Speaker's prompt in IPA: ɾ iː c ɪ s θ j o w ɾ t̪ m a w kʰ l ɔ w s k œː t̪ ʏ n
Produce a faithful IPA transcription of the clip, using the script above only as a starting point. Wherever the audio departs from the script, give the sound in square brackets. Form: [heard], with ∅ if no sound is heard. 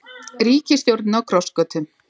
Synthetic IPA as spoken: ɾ iː c ɪ s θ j o w ɾ t̪ [n] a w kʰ [ɾ] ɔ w s k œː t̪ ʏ [m]